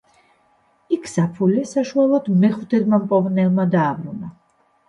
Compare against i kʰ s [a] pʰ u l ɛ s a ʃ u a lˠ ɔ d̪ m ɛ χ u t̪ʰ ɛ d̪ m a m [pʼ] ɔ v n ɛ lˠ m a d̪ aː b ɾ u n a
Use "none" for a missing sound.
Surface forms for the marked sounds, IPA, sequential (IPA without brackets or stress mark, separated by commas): a, pʼ